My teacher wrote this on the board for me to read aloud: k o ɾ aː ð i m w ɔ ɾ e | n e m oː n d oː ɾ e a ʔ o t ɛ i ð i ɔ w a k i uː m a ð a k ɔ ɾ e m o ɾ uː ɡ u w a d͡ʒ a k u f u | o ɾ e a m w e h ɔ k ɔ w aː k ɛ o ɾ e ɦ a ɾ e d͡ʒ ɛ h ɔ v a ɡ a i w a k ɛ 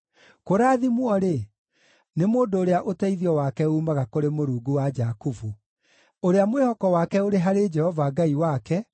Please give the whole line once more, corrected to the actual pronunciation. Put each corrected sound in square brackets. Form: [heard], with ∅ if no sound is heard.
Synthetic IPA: k o ɾ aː ð i m w ɔ ɾ e | n e m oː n d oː ɾ e a ʔ o t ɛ i ð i ɔ w a k [ɛ] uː m a [ɣ] a k [o] ɾ e m o ɾ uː ɡ u w a d͡ʒ a k u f u | o ɾ e a m w e h ɔ k ɔ w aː k ɛ o ɾ e ɦ a ɾ e d͡ʒ ɛ h ɔ v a ɡ a i w a k ɛ